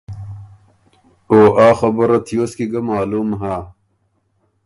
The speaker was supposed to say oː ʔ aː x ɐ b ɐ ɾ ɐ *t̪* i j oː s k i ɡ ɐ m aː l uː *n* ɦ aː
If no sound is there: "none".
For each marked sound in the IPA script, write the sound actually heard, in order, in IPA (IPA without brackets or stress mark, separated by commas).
t̪ʰ, m